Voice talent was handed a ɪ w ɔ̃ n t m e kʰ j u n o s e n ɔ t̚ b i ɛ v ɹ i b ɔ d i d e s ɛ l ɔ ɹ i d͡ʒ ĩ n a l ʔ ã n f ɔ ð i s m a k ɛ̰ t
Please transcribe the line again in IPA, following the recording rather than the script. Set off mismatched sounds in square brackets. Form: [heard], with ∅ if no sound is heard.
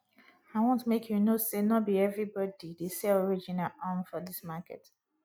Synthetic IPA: a ɪ w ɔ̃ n t m e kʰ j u n o s e n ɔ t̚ b i ɛ v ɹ i b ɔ d i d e s ɛ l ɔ ɹ i d͡ʒ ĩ n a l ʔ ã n f ɔ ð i s m a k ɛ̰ t